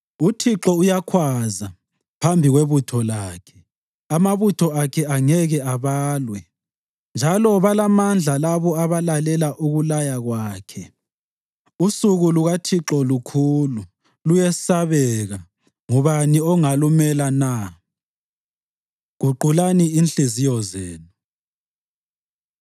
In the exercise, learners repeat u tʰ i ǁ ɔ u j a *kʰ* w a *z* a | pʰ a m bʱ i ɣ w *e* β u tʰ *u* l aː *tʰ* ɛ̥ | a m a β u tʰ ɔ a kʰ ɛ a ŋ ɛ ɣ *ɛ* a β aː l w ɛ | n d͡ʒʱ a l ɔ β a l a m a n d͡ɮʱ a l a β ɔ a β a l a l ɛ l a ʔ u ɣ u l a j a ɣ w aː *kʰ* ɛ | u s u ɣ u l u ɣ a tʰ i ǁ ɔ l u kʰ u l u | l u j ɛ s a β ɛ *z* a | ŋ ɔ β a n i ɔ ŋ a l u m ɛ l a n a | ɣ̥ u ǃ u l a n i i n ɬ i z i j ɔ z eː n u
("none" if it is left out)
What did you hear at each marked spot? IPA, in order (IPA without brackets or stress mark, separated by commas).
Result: kʰ, z, e, ɔ, kʰ, ɛ, kʰ, ɣ